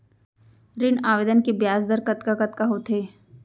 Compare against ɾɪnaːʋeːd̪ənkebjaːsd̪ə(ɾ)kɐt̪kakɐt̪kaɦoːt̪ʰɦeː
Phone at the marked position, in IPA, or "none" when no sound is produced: ɾ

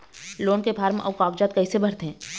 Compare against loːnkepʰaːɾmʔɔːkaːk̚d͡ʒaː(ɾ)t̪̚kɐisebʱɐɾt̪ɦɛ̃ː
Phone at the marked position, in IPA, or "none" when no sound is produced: none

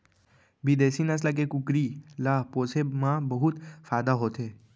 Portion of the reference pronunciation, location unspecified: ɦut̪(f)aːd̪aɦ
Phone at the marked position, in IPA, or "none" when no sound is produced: f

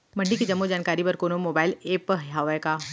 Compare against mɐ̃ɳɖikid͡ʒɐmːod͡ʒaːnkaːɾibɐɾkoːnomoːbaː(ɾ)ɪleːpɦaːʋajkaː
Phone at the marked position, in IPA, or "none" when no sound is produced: none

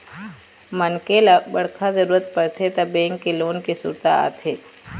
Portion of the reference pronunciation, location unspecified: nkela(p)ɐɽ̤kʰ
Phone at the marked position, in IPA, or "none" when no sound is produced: b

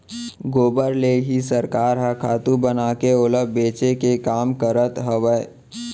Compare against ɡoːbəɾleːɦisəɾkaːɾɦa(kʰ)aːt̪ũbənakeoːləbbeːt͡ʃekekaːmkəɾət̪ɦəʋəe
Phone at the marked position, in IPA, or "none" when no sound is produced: kʰ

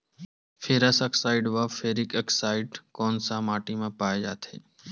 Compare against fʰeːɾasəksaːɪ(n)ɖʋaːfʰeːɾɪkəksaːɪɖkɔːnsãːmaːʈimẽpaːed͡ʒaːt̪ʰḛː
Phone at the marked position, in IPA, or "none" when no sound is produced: none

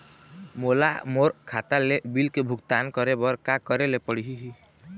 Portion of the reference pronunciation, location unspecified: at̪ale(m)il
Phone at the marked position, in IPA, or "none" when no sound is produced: b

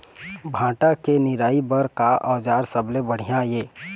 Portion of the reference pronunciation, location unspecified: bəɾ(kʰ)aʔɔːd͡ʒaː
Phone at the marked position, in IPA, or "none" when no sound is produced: k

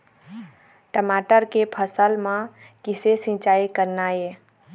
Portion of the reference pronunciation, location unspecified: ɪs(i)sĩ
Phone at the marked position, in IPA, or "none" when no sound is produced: e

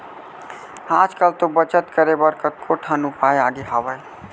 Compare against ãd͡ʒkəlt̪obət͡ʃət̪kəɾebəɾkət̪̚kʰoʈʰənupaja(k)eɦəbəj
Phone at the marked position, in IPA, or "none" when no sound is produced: ɡ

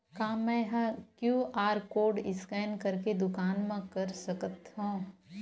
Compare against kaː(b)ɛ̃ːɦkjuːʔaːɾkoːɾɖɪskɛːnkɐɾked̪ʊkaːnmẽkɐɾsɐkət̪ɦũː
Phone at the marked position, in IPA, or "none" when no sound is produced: m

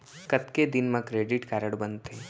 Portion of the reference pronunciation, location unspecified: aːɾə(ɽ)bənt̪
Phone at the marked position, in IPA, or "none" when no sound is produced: ɽ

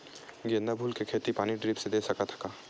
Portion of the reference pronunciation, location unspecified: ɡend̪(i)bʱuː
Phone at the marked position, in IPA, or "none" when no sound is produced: a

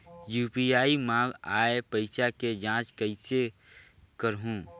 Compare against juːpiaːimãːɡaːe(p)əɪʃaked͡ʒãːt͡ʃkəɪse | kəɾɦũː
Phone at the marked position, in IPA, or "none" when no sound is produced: p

